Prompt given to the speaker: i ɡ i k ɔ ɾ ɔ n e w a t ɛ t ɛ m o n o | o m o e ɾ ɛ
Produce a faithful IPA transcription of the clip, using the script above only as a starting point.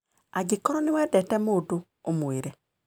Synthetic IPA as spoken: a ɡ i k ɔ ɾ ɔ n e w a d ɛ t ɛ m o d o | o m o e ɾ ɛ